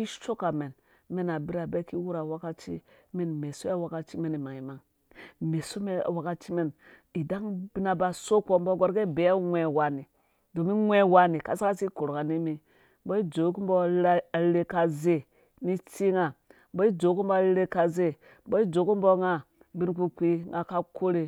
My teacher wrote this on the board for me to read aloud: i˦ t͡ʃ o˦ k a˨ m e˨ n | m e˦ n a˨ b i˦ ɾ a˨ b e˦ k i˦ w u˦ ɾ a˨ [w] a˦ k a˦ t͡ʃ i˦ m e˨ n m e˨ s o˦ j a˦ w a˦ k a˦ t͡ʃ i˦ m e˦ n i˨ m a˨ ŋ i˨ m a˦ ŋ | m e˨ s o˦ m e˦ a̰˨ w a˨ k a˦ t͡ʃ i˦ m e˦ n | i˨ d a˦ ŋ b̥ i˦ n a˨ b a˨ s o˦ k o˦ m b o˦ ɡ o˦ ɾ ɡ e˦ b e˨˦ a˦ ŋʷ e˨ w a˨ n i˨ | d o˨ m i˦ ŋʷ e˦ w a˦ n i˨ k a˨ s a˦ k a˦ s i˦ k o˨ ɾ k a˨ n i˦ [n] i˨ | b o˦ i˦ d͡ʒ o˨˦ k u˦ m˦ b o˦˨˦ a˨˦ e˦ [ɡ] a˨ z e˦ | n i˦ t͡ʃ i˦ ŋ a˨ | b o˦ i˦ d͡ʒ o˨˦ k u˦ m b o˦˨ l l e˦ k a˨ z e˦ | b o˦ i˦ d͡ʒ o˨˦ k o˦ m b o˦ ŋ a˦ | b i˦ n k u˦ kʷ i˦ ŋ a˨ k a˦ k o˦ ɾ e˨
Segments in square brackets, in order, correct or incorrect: correct, incorrect: m, incorrect: k

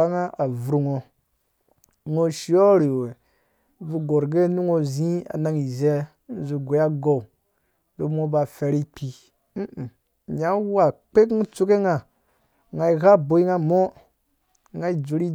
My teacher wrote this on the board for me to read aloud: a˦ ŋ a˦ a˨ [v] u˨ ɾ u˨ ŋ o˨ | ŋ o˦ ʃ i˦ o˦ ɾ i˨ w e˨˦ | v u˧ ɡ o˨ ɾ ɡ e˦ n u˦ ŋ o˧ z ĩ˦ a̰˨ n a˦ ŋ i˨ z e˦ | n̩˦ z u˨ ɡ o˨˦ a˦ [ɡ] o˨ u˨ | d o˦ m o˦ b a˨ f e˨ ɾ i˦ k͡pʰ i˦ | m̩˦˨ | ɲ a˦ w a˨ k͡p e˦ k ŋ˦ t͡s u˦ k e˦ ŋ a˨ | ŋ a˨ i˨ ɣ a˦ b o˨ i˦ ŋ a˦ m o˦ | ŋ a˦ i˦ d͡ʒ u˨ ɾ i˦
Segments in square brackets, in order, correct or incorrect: correct, correct

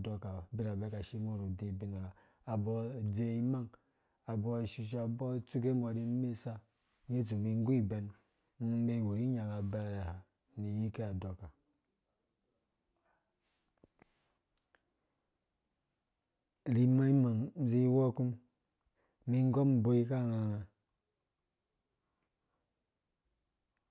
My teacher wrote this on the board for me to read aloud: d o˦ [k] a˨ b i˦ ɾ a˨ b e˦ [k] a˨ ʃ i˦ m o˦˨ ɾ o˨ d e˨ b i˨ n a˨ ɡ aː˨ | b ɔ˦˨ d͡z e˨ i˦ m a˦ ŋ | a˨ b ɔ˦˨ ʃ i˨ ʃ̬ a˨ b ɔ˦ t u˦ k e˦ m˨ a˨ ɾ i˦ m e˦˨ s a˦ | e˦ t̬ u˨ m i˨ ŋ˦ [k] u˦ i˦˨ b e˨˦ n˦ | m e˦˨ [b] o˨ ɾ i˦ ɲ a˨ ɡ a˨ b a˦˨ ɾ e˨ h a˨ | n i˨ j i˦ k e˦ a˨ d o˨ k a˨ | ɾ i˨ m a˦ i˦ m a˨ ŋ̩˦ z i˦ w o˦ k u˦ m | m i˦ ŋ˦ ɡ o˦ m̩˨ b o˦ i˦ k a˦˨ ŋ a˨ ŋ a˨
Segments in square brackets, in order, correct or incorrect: correct, correct, incorrect: ɡ, incorrect: w

